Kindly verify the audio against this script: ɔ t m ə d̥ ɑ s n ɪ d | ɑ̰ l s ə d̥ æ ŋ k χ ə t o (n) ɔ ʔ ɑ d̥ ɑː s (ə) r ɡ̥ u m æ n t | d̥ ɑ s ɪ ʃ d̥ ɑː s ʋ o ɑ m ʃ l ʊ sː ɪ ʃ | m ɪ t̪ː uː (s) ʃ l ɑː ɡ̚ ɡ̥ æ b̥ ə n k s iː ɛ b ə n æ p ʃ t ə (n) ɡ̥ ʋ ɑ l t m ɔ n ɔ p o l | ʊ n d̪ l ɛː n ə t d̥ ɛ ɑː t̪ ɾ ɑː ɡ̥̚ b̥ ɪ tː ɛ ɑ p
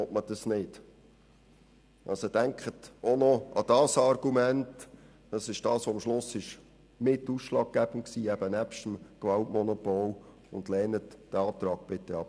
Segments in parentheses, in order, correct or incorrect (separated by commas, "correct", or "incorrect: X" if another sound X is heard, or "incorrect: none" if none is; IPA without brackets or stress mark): correct, incorrect: ɑ, correct, incorrect: m